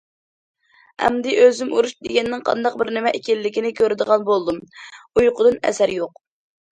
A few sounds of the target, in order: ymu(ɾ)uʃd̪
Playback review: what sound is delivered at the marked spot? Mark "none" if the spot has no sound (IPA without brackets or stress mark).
ɾ